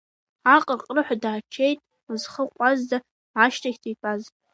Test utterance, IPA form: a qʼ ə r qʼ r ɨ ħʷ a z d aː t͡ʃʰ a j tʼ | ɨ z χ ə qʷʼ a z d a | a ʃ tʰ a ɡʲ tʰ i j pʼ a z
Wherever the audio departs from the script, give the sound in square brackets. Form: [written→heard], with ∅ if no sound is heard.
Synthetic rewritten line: a qʼ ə r qʼ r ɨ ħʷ a [z→∅] d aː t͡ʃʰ [a→e] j tʼ | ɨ z χ ə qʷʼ a z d a | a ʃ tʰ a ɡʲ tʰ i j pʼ a z